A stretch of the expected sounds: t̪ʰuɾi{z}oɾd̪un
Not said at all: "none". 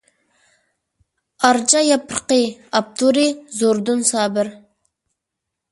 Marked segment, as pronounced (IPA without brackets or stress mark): z